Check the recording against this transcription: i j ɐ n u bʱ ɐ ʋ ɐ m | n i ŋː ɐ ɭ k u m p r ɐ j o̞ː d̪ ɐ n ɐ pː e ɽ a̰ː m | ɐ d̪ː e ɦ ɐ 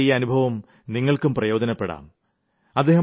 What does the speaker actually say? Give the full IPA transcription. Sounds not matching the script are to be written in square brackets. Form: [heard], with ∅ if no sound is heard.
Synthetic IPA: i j ɐ n u bʱ ɐ ʋ ɐ m | n i ŋː ɐ ɭ k u m p r ɐ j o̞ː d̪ ɐ n ɐ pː e ɽ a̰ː m | ɐ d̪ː e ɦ ɐ

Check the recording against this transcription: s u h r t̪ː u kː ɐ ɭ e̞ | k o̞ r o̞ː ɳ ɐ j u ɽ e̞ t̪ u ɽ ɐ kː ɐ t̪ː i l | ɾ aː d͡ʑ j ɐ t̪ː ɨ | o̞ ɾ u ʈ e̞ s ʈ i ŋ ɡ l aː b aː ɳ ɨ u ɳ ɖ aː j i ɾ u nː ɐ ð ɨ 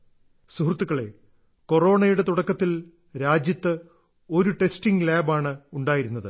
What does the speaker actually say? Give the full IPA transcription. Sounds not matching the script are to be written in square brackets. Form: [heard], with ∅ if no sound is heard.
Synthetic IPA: s u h r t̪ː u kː ɐ ɭ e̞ | k o̞ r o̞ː ɳ ɐ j u ɽ e̞ t̪ u ɽ ɐ kː ɐ t̪ː i l | ɾ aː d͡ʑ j ɐ t̪ː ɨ | o̞ ɾ u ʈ e̞ s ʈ i ŋ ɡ l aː b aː ɳ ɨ u ɳ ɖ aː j i ɾ u nː ɐ ð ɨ

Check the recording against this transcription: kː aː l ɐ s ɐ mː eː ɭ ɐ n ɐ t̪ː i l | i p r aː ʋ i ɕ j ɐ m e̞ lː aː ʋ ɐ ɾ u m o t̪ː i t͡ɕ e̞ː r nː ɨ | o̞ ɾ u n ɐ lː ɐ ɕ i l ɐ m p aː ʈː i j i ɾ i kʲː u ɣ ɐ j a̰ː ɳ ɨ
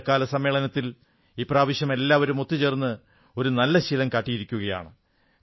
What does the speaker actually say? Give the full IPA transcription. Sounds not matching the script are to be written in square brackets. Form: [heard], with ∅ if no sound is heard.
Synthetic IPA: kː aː l ɐ s ɐ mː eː ɭ ɐ n ɐ t̪ː i l | [iː] p r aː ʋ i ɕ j ɐ m e̞ lː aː ʋ ɐ ɾ u m o t̪ː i t͡ɕ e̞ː r nː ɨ | o̞ ɾ u n ɐ lː ɐ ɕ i l ɐ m [k] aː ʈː i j i ɾ i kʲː u ɣ ɐ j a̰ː ɳ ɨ

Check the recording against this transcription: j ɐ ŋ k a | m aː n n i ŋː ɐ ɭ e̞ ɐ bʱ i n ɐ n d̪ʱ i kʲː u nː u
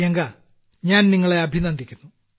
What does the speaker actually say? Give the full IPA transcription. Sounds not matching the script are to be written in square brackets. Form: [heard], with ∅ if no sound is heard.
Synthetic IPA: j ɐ ŋ [ɡ] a | [ɲ] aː n n i ŋː ɐ ɭ e̞ ɐ bʱ i n ɐ n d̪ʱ i kʲː u nː u

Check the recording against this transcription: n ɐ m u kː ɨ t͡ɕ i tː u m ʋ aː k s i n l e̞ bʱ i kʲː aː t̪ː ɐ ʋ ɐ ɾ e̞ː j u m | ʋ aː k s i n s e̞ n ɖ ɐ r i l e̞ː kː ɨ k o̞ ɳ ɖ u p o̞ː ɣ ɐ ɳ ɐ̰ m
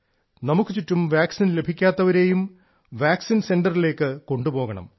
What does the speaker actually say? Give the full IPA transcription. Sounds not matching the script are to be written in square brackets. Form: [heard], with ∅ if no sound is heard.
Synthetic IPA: n ɐ m u kː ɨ t͡ɕ i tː u m ʋ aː k s i n l e̞ bʱ i kʲː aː t̪ː ɐ ʋ ɐ ɾ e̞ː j u m | ʋ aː k s i n s e̞ n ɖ ɐ r i l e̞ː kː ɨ k o̞ ɳ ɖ u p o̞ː ɣ ɐ ɳ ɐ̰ m

